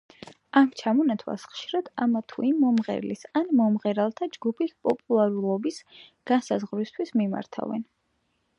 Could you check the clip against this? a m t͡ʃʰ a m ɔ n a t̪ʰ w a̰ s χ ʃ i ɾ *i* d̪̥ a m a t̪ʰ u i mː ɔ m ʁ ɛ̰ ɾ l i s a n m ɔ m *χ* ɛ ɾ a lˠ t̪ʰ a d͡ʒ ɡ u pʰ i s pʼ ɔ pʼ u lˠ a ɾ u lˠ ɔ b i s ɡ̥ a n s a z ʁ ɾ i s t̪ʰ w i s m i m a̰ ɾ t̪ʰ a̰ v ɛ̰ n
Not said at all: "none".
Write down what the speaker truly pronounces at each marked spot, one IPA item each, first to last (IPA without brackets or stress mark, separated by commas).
a, ʁ